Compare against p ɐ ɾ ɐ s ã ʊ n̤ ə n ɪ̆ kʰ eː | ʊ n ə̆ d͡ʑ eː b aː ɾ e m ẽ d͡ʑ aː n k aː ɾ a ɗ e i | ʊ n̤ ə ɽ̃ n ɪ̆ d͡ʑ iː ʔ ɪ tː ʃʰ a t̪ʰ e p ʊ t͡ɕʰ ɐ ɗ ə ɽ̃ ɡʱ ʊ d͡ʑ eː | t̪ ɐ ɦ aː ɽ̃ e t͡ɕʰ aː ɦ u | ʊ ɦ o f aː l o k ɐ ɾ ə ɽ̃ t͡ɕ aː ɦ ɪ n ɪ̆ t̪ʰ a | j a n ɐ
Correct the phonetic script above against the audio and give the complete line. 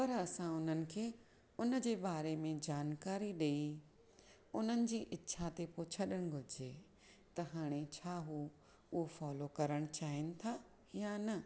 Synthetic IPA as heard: p ɐ ɾ ɐ s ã ʊ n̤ ə n ɪ̆ kʰ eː | ʊ n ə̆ d͡ʑ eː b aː ɾ e m ẽ d͡ʑ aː n k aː ɾ i ɗ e i | ʊ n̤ ə n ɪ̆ d͡ʑ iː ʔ ɪ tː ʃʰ a t̪ e p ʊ t͡ɕʰ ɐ ɗ ə ɽ̃ ɡʱ ʊ d͡ʑ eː | t̪ ɐ ɦ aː ɽ̃ e t͡ɕʰ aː ɦ u | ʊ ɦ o f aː l o k ɐ ɾ ə ɽ̃ t͡ɕ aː ɦ ɪ n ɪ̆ t̪ʰ a | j a n ɐ